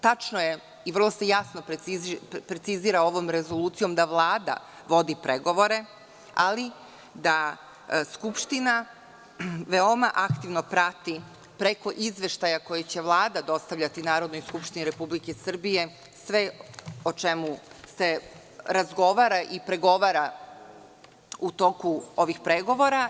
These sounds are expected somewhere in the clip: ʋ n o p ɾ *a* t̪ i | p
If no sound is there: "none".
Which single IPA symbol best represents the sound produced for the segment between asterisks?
a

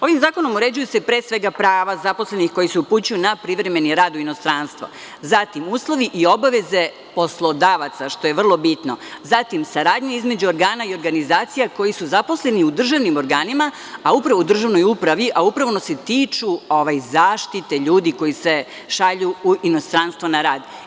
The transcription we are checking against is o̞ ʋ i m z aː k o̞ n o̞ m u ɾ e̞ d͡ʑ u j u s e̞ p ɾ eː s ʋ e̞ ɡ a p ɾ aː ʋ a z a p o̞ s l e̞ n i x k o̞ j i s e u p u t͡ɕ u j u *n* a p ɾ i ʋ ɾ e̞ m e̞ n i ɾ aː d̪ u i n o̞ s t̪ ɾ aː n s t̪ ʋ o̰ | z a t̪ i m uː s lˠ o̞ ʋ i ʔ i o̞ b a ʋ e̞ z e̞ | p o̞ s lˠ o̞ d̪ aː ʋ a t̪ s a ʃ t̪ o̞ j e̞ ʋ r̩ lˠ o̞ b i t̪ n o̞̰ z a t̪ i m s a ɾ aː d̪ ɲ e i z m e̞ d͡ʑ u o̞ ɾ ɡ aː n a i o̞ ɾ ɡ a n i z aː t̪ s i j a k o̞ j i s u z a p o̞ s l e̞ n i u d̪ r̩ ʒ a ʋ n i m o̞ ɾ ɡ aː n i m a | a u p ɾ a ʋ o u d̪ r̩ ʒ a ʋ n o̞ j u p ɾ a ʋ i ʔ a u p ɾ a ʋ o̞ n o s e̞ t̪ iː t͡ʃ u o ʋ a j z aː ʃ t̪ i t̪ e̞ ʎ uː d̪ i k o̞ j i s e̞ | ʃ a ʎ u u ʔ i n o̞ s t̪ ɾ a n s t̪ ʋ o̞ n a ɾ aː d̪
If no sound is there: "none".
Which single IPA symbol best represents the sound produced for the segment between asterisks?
n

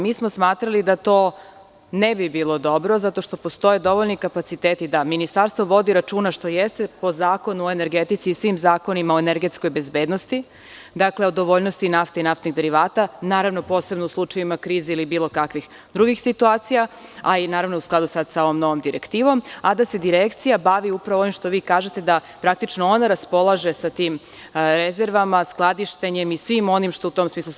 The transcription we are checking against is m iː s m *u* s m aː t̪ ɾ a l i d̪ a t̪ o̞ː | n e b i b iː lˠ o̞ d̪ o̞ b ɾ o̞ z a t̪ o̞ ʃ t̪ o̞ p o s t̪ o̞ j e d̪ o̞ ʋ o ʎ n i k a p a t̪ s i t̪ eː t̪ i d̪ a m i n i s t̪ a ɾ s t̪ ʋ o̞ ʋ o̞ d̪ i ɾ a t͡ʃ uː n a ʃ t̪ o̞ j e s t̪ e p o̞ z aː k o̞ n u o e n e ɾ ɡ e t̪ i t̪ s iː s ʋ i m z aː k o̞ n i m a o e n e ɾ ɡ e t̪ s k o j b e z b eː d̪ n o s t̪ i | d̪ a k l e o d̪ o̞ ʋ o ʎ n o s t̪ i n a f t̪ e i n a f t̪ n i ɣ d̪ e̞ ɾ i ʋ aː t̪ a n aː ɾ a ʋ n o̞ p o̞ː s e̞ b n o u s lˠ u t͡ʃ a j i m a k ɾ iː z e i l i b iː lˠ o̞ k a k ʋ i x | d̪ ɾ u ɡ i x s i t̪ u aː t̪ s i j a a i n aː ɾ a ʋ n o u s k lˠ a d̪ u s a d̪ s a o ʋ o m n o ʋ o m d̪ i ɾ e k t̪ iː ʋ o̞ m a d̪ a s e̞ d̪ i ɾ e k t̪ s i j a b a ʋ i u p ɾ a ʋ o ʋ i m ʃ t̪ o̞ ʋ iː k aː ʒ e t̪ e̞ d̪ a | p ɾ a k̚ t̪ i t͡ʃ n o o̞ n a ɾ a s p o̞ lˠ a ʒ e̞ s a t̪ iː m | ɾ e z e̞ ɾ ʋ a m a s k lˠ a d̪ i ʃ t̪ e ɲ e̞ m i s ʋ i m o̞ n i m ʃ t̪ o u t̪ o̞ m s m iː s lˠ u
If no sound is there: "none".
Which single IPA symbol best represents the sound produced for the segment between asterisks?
o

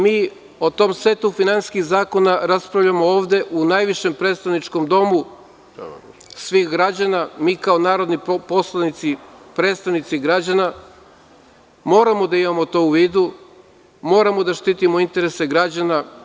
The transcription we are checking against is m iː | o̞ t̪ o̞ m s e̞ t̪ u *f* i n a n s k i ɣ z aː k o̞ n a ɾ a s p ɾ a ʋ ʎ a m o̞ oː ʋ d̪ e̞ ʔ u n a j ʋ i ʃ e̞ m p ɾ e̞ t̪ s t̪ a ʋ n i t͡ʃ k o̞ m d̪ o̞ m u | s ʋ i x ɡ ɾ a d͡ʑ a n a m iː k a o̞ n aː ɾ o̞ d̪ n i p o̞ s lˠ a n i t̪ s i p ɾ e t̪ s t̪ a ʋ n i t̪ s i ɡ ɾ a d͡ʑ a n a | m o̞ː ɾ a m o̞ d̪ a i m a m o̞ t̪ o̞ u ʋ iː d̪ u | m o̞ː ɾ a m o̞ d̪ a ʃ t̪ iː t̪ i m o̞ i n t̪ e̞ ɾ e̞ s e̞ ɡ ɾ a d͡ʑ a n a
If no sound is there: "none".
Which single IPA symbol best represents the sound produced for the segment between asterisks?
f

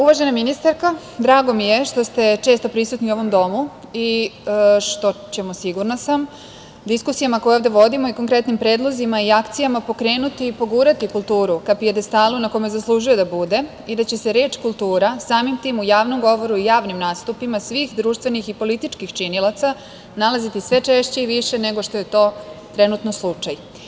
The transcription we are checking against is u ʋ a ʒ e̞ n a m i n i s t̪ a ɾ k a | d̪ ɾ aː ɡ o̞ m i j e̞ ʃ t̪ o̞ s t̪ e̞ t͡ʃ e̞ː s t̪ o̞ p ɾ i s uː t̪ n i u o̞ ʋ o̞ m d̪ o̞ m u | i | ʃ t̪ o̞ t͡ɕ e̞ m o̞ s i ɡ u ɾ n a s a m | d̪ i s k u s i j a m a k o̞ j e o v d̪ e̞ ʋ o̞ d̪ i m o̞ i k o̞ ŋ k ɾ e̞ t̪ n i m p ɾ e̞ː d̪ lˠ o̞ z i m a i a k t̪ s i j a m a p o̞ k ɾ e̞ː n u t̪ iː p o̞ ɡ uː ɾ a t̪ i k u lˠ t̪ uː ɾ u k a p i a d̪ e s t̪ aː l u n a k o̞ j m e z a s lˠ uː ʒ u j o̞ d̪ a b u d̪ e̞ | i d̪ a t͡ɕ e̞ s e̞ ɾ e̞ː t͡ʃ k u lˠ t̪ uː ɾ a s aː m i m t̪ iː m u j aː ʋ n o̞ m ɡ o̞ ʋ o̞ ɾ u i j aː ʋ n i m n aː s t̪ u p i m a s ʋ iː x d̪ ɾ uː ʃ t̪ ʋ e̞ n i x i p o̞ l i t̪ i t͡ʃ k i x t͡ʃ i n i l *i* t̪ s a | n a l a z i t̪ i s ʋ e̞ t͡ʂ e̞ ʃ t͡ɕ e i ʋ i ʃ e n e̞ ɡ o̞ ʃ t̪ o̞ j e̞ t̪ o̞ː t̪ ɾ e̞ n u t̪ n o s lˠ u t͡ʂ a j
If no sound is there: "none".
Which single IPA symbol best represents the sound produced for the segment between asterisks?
a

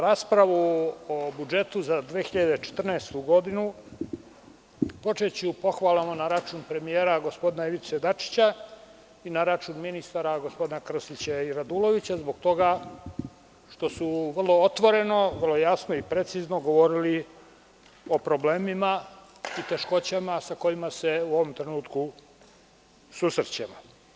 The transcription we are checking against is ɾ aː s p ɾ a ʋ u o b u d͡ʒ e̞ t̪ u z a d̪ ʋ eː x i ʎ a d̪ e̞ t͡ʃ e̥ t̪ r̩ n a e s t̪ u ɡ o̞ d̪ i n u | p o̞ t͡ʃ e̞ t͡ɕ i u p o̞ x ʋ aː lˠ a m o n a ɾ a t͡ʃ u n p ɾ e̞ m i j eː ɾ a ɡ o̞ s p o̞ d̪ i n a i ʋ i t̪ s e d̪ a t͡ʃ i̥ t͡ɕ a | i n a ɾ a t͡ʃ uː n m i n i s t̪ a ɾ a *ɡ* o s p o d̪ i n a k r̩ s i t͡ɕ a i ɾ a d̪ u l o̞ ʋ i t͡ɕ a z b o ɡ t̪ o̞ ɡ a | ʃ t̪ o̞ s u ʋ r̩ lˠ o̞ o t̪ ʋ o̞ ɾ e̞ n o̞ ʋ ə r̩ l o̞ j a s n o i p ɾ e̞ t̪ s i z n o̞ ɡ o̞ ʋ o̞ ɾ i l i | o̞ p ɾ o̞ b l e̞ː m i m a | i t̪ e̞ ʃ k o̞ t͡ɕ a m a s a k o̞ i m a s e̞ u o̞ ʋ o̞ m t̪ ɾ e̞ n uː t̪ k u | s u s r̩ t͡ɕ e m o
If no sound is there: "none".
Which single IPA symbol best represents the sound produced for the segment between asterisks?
ɡ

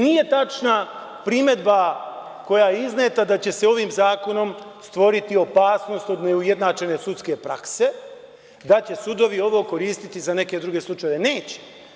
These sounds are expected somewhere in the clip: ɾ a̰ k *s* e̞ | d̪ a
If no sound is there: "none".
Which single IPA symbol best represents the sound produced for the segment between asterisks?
s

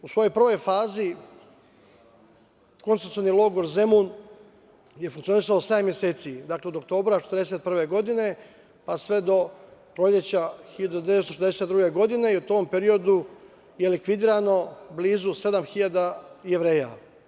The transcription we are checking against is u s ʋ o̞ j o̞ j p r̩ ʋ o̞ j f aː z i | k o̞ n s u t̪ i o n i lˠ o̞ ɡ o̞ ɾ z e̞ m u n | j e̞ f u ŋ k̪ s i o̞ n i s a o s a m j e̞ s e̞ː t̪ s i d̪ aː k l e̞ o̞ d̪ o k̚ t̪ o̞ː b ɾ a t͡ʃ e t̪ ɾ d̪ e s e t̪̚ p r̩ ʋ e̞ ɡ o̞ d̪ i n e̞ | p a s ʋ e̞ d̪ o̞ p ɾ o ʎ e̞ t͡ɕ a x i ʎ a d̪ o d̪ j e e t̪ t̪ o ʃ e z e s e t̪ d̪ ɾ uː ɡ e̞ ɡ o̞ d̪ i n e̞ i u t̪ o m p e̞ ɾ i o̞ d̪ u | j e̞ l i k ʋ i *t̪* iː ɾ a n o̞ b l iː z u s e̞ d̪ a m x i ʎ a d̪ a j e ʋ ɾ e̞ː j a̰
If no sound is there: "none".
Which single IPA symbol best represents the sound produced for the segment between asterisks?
d̪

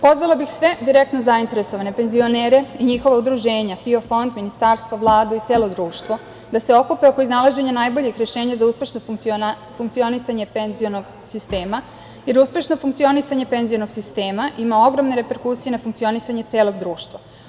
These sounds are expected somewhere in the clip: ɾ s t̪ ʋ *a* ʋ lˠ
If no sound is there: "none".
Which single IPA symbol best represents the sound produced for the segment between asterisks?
a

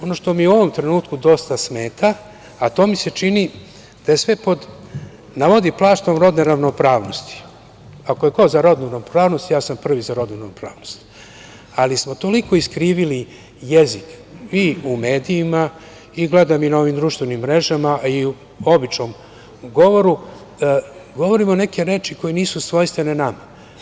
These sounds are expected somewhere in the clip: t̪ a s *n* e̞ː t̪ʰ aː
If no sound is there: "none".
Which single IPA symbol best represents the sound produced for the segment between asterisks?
m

